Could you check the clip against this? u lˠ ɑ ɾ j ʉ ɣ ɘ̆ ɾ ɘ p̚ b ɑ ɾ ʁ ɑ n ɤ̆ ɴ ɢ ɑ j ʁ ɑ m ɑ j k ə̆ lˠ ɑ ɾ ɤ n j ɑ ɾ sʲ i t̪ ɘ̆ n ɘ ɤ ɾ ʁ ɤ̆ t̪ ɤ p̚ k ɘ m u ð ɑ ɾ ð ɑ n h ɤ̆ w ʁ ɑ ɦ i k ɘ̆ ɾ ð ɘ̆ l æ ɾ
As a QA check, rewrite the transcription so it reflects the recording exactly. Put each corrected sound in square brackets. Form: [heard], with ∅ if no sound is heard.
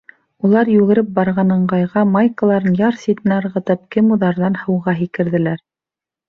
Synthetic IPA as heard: u lˠ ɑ ɾ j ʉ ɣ ɘ̆ ɾ ɘ p̚ b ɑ ɾ ʁ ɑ n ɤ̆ ɴ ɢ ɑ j ʁ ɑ m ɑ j k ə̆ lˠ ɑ ɾ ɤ n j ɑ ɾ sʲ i t̪ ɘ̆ n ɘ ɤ ɾ ʁ ɤ̆ t̪ ɤ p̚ k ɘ m u ð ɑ ɾ ð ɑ n h ɤ̆ w ʁ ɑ ɦ i k ɘ̆ ɾ ð ɘ̆ l æ ɾ